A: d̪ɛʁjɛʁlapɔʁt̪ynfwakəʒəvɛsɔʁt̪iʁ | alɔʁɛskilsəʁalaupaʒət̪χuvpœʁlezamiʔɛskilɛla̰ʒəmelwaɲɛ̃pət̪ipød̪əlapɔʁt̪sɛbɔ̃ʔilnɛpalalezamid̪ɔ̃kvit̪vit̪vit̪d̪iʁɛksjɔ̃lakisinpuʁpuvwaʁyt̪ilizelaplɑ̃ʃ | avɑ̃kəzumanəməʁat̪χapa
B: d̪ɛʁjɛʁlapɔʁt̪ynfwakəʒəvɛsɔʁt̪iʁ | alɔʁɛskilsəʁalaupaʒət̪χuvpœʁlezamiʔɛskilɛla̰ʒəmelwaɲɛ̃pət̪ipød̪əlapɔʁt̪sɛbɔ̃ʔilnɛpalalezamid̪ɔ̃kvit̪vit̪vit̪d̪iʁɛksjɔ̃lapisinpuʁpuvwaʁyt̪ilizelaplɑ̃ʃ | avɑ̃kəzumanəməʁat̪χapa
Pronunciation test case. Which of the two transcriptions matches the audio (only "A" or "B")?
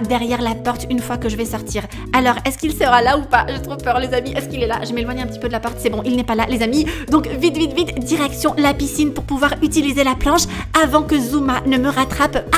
B